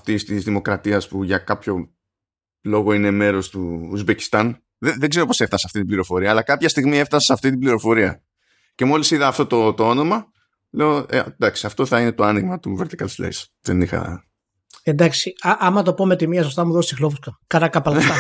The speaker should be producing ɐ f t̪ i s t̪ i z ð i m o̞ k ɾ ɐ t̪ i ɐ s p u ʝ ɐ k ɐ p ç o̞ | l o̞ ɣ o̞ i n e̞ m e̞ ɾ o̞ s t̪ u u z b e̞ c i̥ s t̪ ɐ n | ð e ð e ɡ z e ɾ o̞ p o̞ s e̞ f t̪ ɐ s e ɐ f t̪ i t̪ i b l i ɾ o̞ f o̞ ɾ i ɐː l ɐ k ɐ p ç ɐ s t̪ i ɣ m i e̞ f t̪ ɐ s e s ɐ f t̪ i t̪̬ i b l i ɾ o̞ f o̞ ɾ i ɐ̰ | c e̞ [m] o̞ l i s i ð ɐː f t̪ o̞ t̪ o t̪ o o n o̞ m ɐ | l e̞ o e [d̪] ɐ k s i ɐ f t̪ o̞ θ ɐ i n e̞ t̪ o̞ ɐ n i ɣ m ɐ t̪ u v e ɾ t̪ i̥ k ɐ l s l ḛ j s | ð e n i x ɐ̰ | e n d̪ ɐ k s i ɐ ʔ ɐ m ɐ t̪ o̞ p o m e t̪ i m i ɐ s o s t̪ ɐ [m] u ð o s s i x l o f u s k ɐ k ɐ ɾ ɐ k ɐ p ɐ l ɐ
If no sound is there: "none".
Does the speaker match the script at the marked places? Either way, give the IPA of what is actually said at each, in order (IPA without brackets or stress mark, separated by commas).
m, d̪, m